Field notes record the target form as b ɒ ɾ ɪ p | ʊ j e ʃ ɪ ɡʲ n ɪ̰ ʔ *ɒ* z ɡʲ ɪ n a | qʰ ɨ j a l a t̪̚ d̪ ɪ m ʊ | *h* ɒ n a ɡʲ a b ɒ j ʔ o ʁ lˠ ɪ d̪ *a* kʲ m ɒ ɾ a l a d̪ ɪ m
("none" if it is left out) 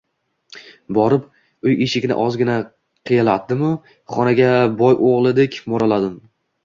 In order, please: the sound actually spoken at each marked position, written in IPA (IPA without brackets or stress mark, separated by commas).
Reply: ɒ, χ, e